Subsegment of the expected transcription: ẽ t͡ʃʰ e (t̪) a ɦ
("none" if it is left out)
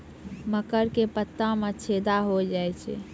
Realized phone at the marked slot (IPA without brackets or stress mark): d̪